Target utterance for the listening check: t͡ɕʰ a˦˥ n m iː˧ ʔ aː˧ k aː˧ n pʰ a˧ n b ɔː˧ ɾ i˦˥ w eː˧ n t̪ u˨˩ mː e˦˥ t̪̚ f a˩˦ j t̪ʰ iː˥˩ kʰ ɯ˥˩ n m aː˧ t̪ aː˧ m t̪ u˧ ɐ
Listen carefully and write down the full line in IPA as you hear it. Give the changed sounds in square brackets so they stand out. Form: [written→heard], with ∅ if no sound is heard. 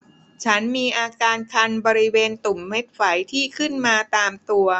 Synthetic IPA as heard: t͡ɕʰ a˦˥ n m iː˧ ʔ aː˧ k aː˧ n [pʰ→kʰ] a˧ n b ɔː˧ ɾ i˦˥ w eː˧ n t̪ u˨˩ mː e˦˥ t̪̚ f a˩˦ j t̪ʰ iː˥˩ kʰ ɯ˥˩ n m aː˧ t̪ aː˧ m t̪ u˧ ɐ